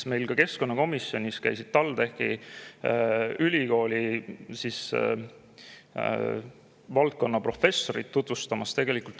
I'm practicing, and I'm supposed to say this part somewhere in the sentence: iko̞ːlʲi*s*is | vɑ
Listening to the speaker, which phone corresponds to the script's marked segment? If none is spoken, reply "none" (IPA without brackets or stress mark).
s